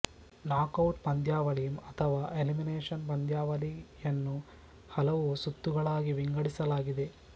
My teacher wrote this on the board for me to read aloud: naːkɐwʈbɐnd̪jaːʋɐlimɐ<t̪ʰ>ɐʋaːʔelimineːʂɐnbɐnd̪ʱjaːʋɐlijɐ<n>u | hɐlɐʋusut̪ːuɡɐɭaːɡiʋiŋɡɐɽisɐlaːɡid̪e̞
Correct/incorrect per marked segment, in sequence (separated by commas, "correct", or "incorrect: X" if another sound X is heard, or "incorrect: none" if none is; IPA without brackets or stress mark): correct, incorrect: nː